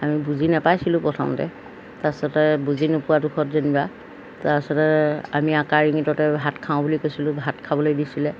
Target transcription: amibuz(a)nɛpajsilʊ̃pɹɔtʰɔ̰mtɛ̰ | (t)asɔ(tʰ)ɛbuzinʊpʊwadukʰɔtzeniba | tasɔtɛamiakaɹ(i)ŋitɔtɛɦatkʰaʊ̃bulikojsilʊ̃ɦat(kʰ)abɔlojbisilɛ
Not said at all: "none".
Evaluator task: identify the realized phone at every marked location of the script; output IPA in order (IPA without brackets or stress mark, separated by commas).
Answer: i, t, t, i, kʰ